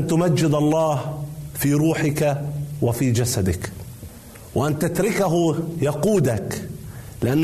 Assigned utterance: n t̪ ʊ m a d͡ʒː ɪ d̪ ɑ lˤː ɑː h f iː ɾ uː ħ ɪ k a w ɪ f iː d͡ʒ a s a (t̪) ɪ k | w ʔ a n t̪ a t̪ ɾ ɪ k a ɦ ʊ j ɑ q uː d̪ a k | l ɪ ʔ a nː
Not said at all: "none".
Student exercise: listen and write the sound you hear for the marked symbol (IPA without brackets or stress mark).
d̪